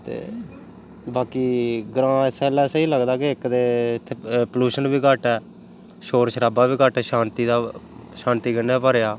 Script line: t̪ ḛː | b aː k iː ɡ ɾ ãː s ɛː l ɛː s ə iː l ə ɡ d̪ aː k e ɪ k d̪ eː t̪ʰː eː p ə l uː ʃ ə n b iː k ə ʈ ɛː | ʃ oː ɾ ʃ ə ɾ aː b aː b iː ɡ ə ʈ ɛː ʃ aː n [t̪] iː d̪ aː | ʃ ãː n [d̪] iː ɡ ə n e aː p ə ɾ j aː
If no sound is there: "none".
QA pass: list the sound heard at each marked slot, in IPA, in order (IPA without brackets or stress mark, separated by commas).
t̪, t̪